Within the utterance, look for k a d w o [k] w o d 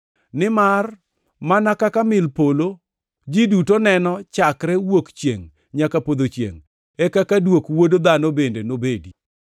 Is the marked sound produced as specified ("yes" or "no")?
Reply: yes